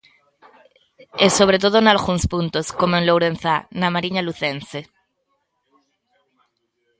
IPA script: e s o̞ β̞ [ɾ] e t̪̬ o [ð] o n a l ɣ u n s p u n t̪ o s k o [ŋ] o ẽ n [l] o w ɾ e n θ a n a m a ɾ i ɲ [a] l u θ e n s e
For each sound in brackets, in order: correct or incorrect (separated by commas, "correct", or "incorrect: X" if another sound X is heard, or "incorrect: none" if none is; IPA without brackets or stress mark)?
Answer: correct, correct, incorrect: m, correct, correct